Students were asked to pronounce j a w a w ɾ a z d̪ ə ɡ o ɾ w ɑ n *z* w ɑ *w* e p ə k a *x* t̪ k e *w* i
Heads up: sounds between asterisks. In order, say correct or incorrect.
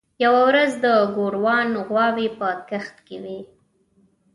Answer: incorrect, correct, correct, correct

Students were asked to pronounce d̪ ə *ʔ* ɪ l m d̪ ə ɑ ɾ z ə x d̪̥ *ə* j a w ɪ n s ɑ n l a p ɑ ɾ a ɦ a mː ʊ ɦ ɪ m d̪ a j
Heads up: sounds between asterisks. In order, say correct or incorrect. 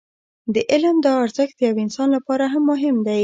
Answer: correct, correct

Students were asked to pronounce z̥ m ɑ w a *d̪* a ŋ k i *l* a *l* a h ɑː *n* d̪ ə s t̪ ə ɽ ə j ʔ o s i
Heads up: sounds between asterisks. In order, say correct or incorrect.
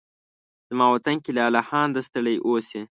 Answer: incorrect, correct, correct, correct

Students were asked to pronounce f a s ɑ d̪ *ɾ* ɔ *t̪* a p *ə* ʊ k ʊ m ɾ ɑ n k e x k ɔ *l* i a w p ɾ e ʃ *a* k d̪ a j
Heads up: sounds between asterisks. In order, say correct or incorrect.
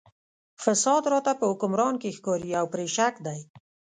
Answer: correct, correct, correct, incorrect, correct

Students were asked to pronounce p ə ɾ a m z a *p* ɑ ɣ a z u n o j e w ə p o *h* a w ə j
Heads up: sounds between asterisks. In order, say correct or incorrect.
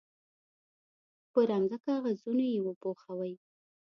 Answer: incorrect, incorrect

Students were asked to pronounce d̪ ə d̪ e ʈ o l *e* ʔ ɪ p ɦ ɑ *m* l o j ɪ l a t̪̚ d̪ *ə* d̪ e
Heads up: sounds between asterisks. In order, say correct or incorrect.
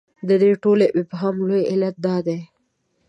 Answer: correct, correct, incorrect

